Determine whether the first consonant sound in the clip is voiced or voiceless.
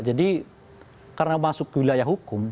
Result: voiced